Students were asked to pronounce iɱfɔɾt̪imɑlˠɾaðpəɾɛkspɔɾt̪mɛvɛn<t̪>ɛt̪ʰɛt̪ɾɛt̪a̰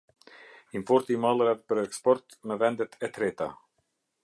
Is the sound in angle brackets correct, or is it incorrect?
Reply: incorrect